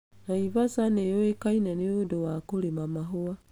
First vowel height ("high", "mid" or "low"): low